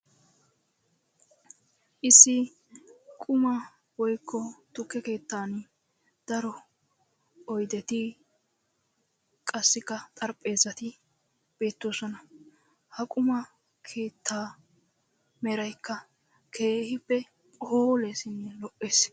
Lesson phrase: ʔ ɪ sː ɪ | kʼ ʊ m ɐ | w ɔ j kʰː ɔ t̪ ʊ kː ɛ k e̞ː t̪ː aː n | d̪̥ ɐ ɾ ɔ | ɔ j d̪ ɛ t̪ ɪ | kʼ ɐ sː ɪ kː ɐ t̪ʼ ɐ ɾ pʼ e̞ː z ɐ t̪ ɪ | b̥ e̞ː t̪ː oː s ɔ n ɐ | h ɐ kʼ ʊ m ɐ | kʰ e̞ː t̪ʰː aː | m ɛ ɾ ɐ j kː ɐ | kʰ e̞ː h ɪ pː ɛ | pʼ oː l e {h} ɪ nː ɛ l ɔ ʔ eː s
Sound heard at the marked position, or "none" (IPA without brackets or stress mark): s